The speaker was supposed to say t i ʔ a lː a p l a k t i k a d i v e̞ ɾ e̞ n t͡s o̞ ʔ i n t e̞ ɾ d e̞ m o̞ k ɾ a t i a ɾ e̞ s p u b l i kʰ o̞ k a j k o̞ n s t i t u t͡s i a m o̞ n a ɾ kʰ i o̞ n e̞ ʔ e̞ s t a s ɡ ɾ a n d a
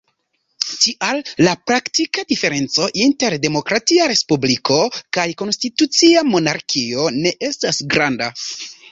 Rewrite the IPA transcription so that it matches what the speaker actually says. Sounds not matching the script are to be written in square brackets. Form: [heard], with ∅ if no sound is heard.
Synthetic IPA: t i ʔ a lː a p [ɾ] a k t i k a d i [f] e̞ ɾ e̞ n t͡s o̞ ʔ i n t e̞ ɾ d e̞ m o̞ k ɾ a t i a ɾ e̞ s p u b l i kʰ o̞ k a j k o̞ n s t i t u t͡s i a m o̞ n a ɾ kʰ i o̞ n e̞ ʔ e̞ s t a s ɡ ɾ a n d a